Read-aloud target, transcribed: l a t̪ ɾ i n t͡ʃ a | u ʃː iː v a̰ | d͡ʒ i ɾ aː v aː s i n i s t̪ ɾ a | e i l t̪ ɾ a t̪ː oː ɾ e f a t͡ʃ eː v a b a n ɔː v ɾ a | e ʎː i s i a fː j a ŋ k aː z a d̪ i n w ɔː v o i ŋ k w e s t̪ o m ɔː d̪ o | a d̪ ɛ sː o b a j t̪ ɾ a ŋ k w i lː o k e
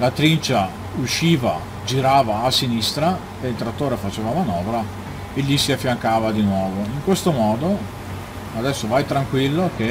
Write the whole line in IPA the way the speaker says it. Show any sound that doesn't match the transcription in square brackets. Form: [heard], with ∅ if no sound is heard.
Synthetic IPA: l a t̪ ɾ i n t͡ʃ a | u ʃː iː v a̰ | d͡ʒ i ɾ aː v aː s i n i s t̪ ɾ a | e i l t̪ ɾ a t̪ː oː ɾ e f a t͡ʃ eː v a [m] a n ɔː v ɾ a | e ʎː i s i a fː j a ŋ k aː [v] a d̪ i n w ɔː v o i ŋ k w e s t̪ o m ɔː d̪ o | a d̪ ɛ sː o [v] a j t̪ ɾ a ŋ k w i lː o k e